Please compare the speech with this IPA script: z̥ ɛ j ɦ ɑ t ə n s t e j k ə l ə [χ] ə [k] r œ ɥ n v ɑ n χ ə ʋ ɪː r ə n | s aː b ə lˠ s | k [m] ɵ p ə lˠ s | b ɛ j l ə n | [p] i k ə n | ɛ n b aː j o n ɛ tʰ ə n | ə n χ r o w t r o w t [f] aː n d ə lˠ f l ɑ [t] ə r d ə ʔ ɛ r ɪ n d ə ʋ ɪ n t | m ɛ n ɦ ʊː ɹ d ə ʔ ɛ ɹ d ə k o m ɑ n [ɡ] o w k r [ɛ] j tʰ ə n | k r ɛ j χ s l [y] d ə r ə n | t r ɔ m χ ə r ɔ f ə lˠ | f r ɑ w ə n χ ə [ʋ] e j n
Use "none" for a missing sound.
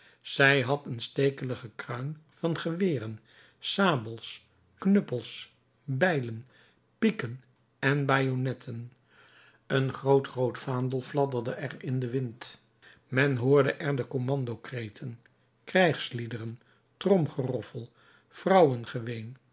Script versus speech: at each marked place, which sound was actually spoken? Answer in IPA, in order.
χ, k, n, p, f, d, d, e, i, ʋ

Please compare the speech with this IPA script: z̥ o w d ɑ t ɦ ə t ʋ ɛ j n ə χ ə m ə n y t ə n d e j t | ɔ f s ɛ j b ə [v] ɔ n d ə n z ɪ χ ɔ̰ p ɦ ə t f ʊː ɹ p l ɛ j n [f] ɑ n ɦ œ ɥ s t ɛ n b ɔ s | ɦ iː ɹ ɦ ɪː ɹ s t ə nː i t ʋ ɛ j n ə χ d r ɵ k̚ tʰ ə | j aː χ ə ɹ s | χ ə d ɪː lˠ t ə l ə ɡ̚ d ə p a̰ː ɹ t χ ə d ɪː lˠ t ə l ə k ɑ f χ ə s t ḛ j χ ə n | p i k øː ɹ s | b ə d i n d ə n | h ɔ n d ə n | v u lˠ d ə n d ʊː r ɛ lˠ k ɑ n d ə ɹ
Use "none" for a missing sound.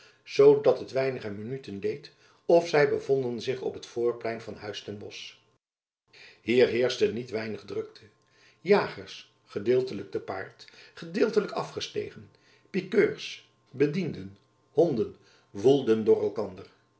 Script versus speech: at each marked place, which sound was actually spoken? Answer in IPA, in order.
v, v

